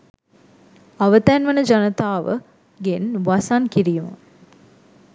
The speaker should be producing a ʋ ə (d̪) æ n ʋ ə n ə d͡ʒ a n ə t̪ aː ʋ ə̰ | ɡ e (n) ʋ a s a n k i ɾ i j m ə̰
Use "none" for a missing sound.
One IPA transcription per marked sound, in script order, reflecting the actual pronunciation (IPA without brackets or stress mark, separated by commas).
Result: t̪, n